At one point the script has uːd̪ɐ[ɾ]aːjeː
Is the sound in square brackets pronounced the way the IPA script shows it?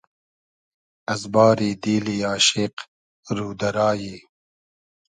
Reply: yes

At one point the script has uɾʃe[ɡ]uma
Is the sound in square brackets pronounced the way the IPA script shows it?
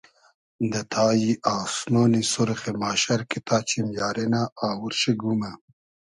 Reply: yes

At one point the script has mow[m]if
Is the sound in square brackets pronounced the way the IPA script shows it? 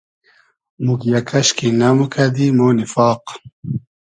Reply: no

